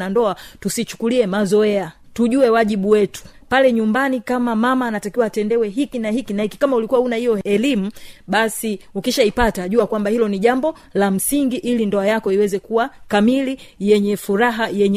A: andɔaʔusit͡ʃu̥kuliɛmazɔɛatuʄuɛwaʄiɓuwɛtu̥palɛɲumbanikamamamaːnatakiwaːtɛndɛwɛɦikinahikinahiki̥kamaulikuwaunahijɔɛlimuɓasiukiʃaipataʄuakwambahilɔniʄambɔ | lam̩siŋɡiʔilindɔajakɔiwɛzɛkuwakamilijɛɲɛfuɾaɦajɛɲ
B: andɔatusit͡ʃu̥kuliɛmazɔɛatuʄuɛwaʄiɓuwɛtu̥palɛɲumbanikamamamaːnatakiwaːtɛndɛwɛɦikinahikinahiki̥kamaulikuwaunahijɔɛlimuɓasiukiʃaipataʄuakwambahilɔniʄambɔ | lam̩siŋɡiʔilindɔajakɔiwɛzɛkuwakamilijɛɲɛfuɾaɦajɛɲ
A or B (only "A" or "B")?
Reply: B